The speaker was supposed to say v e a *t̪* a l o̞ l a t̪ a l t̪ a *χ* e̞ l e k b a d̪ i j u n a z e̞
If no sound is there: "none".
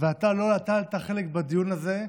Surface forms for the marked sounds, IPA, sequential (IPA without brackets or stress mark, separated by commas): t̪, χ